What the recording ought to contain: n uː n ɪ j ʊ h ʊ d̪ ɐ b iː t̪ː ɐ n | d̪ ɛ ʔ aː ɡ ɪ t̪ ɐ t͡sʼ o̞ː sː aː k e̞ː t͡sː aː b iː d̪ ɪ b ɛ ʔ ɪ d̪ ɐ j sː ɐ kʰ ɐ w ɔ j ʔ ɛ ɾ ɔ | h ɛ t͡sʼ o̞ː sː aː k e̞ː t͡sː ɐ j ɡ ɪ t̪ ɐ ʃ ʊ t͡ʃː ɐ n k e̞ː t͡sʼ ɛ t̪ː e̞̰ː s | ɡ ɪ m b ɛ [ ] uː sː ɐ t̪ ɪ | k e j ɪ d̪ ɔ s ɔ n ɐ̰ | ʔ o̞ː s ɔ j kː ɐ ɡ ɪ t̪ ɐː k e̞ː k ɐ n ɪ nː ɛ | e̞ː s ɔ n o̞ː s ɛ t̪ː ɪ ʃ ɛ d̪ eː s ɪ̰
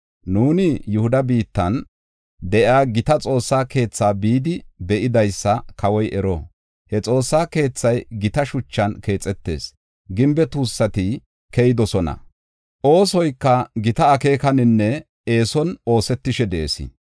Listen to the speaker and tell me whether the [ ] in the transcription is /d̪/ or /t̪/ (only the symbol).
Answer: t̪